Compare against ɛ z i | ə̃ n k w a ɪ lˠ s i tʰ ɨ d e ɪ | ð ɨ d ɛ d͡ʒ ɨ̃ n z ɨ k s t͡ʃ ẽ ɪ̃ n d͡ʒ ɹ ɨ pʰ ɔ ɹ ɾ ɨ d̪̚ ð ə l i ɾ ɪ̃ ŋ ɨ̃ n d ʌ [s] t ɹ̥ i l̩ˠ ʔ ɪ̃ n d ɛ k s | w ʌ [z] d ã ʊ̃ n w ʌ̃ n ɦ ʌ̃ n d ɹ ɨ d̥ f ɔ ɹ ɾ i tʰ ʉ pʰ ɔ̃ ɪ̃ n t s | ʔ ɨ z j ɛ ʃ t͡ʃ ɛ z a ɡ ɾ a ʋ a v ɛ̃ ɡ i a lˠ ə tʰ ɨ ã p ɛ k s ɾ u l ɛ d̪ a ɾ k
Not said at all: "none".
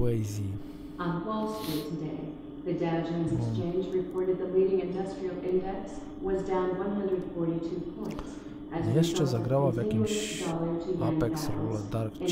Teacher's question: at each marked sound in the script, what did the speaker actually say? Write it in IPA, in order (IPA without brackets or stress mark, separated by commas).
s, z